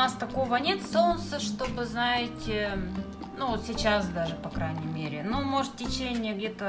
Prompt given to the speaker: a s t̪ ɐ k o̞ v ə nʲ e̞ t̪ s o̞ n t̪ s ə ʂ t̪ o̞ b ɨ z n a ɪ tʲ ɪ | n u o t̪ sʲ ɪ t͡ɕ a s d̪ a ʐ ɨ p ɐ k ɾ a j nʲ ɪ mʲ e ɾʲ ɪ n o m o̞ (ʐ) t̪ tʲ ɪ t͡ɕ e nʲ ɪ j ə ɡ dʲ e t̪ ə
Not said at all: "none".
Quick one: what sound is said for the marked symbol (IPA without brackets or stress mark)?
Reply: ʐ